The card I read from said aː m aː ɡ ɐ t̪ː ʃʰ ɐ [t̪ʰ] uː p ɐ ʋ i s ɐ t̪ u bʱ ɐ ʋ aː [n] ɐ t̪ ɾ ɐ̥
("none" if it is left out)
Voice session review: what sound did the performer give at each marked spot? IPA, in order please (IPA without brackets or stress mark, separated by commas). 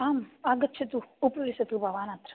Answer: t̪, n